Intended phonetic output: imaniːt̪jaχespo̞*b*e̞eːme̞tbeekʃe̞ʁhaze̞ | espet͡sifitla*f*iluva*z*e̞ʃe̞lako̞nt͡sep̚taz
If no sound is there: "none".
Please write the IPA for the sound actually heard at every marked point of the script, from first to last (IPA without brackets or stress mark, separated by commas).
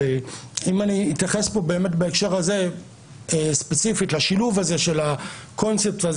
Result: b, ʃ, z